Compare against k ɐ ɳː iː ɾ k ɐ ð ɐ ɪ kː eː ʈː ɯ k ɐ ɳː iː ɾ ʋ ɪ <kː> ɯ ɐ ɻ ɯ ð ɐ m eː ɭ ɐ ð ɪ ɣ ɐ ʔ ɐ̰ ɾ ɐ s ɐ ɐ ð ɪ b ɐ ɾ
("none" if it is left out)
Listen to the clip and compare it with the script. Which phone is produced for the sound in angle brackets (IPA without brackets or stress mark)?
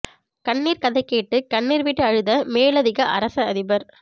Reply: ʈː